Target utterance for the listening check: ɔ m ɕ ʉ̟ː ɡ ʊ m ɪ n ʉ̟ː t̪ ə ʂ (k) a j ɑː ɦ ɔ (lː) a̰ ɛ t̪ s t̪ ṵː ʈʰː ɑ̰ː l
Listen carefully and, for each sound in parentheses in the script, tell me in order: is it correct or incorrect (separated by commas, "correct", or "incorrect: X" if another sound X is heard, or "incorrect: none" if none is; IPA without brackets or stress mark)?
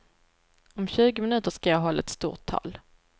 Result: correct, correct